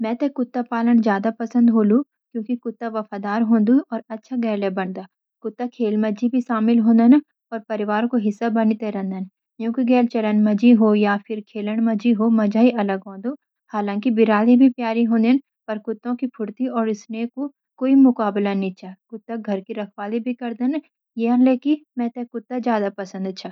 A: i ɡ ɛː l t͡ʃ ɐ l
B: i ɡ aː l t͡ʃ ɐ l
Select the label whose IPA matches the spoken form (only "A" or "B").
A